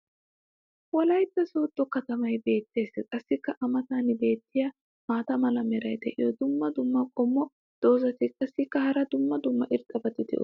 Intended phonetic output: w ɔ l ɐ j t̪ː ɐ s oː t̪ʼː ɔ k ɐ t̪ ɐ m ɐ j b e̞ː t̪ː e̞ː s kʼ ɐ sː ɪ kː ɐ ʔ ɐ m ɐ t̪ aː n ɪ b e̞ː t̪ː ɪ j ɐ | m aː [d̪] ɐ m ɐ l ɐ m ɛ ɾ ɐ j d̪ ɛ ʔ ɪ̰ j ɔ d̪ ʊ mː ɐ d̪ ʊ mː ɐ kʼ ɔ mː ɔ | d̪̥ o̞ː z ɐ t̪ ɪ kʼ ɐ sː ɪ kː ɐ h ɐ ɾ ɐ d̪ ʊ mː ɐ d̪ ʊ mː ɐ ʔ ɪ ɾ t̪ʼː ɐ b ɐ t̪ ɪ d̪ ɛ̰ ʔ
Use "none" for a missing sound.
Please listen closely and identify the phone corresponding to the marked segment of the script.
t̪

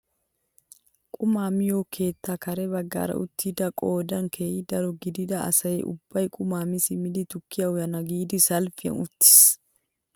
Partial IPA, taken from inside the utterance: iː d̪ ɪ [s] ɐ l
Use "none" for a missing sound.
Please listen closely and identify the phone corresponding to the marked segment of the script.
s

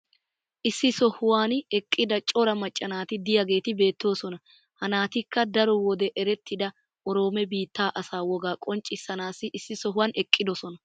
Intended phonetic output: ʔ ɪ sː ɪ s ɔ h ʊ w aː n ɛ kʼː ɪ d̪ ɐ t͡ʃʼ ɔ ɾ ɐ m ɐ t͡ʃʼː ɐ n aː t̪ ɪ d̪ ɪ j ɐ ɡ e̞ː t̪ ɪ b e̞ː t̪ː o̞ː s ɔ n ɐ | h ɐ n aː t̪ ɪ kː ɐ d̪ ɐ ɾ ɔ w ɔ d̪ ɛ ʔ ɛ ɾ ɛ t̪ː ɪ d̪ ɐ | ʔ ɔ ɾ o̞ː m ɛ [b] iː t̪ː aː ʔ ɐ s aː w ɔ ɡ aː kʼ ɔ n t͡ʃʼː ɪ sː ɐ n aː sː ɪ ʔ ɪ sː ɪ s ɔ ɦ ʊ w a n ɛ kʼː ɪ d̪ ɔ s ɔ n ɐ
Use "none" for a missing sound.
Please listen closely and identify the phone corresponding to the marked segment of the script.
b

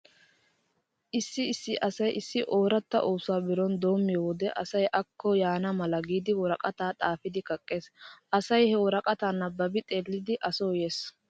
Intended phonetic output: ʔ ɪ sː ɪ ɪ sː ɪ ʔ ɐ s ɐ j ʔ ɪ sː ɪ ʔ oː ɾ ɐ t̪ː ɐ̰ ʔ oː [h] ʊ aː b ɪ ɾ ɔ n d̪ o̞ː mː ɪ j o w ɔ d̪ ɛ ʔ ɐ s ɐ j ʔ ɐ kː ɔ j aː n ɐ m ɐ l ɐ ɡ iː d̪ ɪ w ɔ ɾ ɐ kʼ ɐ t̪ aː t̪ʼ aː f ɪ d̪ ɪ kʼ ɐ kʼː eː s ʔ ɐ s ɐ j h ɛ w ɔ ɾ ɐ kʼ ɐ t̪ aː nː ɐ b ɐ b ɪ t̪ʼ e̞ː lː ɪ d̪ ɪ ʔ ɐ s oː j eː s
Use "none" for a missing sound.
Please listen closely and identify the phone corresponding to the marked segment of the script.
s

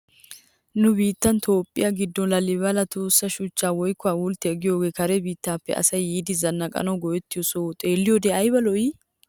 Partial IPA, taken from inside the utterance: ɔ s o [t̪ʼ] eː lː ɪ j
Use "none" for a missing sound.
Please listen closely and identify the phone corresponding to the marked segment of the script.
t̪ʼ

